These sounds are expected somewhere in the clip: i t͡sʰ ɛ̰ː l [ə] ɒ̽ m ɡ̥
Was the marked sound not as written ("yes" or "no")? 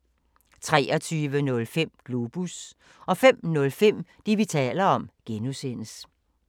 yes